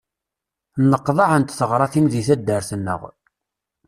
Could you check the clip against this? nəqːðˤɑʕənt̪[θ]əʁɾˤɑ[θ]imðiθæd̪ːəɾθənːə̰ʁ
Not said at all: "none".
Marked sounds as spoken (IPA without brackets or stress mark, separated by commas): θ, θ